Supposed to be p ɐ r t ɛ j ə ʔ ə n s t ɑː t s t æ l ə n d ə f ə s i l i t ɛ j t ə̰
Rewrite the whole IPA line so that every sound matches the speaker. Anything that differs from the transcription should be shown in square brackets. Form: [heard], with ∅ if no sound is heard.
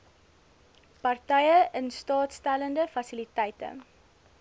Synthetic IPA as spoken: p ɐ r t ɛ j ə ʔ ə n s t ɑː t s t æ l ə n d ə f [ɐ] s i l i t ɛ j t ə̰